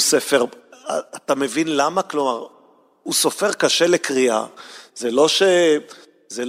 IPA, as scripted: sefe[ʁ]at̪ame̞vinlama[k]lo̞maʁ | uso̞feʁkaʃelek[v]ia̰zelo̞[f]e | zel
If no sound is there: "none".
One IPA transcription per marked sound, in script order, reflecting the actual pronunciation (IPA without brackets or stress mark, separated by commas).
ʁ, k, ʁ, ʃ